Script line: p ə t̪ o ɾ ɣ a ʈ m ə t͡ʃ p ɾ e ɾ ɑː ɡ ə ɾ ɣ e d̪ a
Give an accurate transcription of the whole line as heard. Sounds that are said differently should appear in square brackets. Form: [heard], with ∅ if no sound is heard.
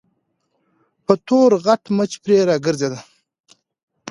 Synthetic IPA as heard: p ə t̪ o ɾ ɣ a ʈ m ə t͡ʃ p ɾ e ɾ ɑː ɡ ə ɾ [z] e d̪ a